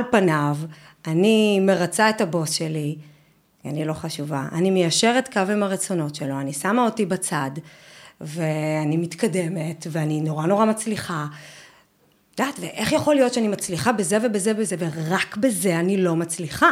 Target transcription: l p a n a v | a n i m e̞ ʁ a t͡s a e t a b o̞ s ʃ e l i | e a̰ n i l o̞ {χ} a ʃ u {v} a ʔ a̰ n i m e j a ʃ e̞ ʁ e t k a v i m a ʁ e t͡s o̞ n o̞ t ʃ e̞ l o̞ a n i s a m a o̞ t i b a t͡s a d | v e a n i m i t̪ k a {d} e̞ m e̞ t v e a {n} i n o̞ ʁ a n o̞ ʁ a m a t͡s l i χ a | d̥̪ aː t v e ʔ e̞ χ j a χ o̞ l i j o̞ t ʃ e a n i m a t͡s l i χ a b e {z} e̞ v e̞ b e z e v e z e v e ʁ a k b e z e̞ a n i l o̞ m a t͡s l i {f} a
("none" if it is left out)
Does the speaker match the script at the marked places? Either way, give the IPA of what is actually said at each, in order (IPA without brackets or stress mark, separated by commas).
χ, v, d, n, z, χ